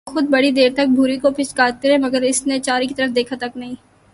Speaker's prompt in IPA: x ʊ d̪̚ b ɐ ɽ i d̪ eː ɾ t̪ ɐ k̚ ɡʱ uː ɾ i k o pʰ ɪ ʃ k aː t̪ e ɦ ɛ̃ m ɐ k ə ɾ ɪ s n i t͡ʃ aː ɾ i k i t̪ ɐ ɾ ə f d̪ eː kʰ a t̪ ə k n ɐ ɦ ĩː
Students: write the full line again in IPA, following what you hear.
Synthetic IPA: x ʊ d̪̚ b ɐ ɽ i d̪ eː ɾ t̪ ɐ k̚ bʱ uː ɾ i k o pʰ ɪ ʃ k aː t̪ e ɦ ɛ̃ m ɐ ɡ ə ɾ ɪ s n e t͡ʃ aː ɾ i k i t̪ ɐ ɾ ə f d̪ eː kʰ a t̪ ɐ k n ɐ ɦ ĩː